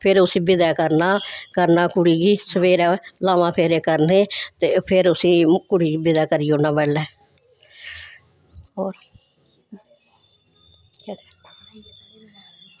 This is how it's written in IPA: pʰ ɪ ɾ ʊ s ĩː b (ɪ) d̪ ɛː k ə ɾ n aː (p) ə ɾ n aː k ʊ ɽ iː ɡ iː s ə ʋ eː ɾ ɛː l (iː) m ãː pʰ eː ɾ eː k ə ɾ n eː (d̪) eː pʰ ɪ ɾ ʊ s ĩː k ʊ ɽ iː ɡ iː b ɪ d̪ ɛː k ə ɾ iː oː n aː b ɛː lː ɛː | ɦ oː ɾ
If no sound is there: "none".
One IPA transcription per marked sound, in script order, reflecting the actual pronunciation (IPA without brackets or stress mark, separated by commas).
ɪ, k, aː, t̪